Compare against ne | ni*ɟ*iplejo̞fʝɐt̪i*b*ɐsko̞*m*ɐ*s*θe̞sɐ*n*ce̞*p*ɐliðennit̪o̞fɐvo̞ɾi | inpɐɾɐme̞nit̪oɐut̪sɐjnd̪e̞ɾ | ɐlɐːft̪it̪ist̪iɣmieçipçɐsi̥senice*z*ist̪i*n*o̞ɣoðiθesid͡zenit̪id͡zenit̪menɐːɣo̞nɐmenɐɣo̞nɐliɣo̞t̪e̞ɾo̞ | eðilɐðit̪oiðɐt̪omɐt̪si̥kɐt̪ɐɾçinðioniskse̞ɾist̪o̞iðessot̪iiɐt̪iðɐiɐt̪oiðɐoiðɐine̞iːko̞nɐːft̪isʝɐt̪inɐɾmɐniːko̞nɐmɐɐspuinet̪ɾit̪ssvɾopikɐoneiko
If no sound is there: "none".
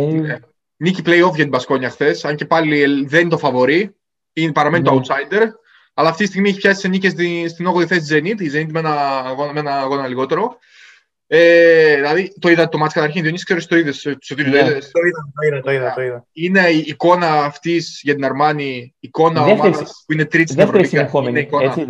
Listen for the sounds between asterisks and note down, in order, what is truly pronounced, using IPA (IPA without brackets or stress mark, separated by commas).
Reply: c, b, ɲ, x, ɲ, p, s, n